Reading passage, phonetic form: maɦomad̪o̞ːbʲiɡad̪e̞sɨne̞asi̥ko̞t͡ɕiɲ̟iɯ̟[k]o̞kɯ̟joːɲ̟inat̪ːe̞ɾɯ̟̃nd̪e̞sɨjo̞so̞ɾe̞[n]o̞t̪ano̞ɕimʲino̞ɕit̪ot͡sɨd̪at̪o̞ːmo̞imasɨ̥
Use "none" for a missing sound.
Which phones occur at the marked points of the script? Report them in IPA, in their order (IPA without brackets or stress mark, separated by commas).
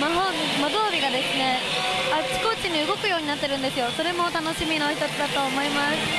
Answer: ɡ, m